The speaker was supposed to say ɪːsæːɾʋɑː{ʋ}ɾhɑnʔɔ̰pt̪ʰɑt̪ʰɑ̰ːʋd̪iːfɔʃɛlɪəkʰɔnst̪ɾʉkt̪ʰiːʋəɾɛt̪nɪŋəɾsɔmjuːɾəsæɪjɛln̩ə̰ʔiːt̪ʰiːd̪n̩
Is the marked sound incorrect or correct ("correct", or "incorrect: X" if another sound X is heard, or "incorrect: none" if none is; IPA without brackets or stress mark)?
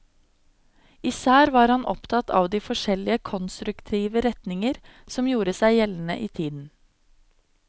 incorrect: none